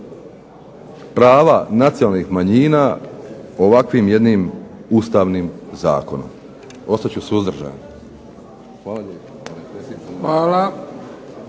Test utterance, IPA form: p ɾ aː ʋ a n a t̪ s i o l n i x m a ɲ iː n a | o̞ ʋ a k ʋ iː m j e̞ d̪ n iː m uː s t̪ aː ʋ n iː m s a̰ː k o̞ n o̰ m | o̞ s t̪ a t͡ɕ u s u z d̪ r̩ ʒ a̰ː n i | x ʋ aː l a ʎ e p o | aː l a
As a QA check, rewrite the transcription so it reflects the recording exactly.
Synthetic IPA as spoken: p ɾ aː ʋ a n a t̪ s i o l n i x m a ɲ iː n a | o̞ ʋ a k ʋ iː m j e̞ d̪ n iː m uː s t̪ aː ʋ n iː m z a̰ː k o̞ n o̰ m | o̞ s t̪ a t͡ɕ u s u z d̪ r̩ ʒ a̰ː n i | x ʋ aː l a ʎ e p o | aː l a